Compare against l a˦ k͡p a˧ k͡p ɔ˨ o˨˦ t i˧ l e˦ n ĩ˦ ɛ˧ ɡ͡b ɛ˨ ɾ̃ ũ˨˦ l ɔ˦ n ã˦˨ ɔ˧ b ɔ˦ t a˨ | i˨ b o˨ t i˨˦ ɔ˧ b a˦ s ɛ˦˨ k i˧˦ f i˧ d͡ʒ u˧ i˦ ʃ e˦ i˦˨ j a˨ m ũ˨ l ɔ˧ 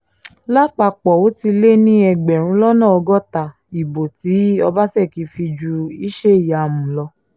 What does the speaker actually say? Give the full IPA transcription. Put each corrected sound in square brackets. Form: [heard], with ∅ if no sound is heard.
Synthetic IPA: l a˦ k͡p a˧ k͡p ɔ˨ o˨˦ t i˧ l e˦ n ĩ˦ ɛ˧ ɡ͡b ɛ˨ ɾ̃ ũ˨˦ l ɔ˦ n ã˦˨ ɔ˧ [ɡ] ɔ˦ t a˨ | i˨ b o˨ t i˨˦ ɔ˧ b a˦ s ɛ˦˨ k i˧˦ f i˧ d͡ʒ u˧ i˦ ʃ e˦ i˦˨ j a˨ m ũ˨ l ɔ˧